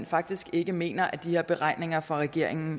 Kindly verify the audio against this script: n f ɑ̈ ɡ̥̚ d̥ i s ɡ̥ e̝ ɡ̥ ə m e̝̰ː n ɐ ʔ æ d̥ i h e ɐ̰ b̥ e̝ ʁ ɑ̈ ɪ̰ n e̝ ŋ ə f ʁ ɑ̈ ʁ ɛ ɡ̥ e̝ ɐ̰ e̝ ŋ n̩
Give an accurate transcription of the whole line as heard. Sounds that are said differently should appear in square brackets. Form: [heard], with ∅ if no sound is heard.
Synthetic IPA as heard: n f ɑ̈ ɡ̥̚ d̥ i s ɡ̥ e̝ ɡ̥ ə m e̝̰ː n ɐ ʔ æ d̥ i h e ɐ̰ b̥ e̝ ʁ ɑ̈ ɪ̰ n e̝ ŋ [ɐ] f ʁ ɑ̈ ʁ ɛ ɡ̥ e̝ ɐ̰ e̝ ŋ n̩

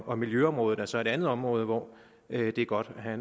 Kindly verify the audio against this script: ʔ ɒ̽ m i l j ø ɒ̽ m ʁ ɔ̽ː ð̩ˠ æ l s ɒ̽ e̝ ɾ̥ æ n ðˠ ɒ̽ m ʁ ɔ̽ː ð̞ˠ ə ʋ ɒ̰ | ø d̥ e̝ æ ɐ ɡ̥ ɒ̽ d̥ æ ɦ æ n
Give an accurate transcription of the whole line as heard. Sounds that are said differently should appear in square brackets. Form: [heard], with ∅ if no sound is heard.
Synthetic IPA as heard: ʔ ɒ̽ m i l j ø ɒ̽ m ʁ ɔ̽ː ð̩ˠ æ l s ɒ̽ e̝ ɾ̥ æ n ðˠ ɒ̽ m ʁ ɔ̽ː ð̞ˠ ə ʋ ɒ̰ | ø d̥ e̝ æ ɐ ɡ̥ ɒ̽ d̥ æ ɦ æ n

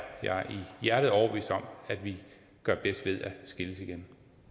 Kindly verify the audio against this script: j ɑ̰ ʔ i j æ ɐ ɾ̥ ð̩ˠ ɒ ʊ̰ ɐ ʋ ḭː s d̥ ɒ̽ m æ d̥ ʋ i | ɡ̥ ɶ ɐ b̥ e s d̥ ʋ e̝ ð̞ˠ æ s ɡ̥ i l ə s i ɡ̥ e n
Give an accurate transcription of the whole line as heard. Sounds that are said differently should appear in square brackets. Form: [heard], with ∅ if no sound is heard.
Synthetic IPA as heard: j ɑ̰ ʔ i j æ ɐ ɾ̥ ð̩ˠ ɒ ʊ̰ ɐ ʋ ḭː s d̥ ɒ̽ m æ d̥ ʋ i | ɡ̥ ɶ ɐ b̥ e s d̥ ʋ e̝ ð̞ˠ æ s ɡ̥ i l ə s i ɡ̥ e n

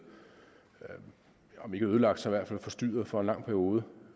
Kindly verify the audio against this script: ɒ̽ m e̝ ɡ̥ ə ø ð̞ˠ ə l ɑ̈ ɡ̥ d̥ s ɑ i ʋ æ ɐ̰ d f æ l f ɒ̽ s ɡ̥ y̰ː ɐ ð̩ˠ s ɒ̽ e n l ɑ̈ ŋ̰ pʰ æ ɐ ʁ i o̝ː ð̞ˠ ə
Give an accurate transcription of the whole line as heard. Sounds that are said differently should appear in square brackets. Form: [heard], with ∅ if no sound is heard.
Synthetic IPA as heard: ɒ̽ m e̝ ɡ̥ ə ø ð̞ˠ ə l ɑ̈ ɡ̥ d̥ s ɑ i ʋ æ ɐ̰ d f æ l f ɒ̽ s [d̥] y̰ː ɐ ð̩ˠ [f] ɒ̽ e n l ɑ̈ ŋ̰ pʰ æ ɐ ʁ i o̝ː ð̞ˠ ə

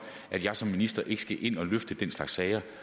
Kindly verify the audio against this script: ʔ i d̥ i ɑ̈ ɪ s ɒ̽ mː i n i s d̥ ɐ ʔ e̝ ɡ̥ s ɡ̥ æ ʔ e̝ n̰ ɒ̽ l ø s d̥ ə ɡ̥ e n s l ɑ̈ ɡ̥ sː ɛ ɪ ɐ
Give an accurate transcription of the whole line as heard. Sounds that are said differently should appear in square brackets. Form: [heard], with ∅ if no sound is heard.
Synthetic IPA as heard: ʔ [æ] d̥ [j] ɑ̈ ɪ s ɒ̽ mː i n i s d̥ ɐ ʔ e̝ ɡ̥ s ɡ̥ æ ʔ e̝ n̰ ɒ̽ l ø [f] d̥ ə [d̥] e n s l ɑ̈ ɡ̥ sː ɛ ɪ ɐ

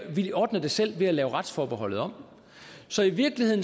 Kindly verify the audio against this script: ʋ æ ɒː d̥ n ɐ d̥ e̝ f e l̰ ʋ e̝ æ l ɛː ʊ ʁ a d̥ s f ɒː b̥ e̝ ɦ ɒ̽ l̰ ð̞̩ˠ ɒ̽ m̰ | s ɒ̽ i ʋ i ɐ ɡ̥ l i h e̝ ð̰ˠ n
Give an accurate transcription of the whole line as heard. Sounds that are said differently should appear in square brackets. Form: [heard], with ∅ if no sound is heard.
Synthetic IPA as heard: ʋ [i] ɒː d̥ n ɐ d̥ e̝ [s] e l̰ ʋ e̝ æ l ɛː ʊ ʁ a d̥ s f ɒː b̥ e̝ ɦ ɒ̽ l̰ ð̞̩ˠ ɒ̽ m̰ | s ɒ̽ i ʋ i ɐ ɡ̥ l i h e̝ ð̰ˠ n

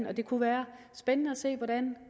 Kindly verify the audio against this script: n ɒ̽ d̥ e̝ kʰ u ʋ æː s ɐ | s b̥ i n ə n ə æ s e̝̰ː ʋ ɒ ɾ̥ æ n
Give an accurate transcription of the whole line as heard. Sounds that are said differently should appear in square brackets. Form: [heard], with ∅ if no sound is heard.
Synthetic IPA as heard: n ɒ̽ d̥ e̝ kʰ u ʋ æː [∅] ɐ | s b̥ [e] n ə n ə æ s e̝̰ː ʋ ɒ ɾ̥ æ n

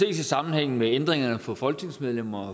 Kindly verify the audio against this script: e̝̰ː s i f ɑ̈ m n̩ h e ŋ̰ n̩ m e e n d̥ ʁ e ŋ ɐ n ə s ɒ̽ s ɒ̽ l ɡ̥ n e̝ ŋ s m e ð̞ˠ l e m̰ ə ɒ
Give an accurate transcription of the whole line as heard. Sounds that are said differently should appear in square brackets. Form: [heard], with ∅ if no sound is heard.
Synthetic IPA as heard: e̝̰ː s i [s] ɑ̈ m n̩ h e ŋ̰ n̩ m e e n d̥ ʁ e ŋ ɐ n ə [f] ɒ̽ [f] ɒ̽ l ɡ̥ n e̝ ŋ s m e ð̞ˠ l e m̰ [ɐ] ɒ

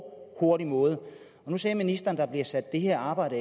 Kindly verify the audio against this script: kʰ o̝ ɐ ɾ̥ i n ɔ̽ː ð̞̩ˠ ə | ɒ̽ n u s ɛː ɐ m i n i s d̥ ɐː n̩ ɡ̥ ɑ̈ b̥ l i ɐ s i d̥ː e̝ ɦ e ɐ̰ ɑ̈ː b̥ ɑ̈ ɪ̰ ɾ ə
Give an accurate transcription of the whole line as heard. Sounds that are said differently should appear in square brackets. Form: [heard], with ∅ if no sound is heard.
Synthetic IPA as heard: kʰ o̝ ɐ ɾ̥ i [m] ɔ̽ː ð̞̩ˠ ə | ɒ̽ n u s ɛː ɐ m i n i s d̥ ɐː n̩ [d̥] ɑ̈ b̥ l i ɐ s [æ] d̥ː e̝ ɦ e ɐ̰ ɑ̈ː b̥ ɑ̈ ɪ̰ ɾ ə

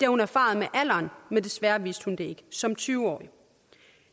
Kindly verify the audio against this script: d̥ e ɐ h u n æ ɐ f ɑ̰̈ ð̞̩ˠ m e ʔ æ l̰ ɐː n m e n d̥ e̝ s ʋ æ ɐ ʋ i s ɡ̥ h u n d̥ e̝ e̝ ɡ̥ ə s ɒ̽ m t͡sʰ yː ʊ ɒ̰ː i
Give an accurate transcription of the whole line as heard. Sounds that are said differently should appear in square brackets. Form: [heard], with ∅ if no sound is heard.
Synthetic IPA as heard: d̥ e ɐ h u n æ ɐ f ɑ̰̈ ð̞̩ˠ m e ʔ æ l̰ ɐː n m e n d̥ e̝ s ʋ æ ɐ ʋ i s [d̥] h u n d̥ e̝ e̝ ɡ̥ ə s ɒ̽ m t͡sʰ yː ʊ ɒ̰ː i

